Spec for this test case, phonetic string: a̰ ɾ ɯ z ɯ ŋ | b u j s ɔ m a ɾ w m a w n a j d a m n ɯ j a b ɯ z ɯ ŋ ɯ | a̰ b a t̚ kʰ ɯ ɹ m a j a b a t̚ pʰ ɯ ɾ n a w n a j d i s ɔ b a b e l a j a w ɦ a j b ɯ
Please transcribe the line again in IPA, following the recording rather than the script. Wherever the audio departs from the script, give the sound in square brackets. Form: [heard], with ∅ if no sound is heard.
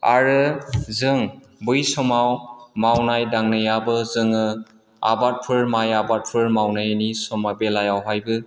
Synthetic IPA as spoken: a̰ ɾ ɯ z ɯ ŋ | b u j s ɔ m a [∅] w m a w n a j d a [ŋ] n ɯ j a b ɯ z ɯ ŋ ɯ | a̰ b a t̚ [pʰ] ɯ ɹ m a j a b a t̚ pʰ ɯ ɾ [m] a w n a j [n] i s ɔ [m] a b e l a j a w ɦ a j b ɯ

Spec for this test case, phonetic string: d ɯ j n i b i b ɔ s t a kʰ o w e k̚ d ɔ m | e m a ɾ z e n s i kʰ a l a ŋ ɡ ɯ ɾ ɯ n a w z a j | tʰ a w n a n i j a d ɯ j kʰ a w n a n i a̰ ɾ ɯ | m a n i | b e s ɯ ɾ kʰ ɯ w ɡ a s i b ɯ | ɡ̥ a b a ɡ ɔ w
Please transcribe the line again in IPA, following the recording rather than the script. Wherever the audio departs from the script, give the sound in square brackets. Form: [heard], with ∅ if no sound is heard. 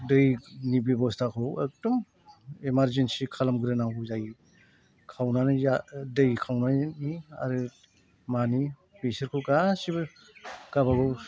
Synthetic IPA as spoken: d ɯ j n i b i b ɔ s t a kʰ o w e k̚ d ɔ m | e m a ɾ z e n s i kʰ a l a [m] ɡ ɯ ɾ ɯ n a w z a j | [kʰ] a w n a n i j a d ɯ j kʰ a w n a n i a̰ ɾ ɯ | m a n i | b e s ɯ ɾ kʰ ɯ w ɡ a s i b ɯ | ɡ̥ a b a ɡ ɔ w

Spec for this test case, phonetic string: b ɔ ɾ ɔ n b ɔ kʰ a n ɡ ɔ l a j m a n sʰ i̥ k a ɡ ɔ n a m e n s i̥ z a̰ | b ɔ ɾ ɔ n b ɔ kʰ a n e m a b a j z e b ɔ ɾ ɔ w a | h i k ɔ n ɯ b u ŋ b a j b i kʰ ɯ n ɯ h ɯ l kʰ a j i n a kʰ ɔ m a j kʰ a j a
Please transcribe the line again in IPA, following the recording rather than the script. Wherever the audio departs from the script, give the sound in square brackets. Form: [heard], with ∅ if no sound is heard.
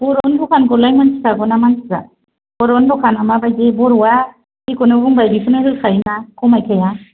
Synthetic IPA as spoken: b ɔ ɾ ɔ n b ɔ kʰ a n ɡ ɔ l a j m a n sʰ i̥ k a ɡ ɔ n a m [a] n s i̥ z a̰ | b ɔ ɾ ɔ n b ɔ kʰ a n [a] m a b a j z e b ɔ ɾ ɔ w a | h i k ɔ n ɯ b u ŋ b a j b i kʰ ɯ n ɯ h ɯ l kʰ a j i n a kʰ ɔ m a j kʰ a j a

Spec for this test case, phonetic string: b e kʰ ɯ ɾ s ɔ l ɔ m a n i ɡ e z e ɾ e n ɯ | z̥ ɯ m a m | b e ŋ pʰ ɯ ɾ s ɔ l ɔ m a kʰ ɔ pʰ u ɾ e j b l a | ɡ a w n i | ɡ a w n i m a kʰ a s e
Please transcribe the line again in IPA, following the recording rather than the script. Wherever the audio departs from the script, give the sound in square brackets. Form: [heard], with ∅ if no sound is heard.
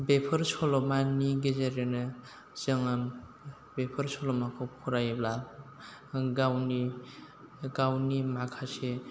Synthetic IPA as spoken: b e [pʰ] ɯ ɾ s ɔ l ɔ m a n i ɡ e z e ɾ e n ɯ | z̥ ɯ [ŋ] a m | b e [∅] pʰ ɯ ɾ s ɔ l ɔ m a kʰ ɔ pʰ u ɾ [a] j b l a | ɡ a w n i | ɡ a w n i m a kʰ a s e

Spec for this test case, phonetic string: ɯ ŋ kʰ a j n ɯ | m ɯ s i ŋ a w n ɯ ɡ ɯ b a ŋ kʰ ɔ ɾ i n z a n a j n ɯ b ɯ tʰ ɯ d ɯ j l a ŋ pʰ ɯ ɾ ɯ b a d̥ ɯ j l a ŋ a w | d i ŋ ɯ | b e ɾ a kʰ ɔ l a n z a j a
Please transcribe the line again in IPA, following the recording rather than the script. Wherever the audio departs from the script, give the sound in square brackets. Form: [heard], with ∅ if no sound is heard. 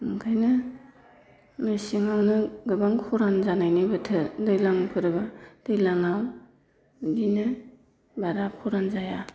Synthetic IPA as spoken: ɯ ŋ kʰ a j n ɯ | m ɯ s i ŋ a w n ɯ ɡ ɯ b a ŋ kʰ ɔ ɾ [a] n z a n a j n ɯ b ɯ tʰ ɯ d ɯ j l a ŋ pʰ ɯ ɾ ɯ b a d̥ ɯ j l a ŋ a w | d i [n] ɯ | b [a] ɾ a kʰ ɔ [ɾ] a n z a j a

